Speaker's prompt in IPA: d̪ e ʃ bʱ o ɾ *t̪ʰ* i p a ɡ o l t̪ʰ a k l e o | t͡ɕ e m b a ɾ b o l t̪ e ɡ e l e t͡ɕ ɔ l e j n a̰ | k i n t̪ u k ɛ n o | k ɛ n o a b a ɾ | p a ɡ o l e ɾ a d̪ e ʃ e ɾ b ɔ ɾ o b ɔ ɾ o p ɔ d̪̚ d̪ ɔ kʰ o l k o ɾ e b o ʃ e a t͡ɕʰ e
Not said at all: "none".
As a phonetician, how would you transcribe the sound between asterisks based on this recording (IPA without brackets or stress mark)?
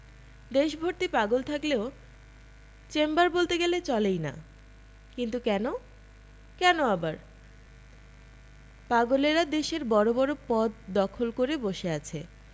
t̪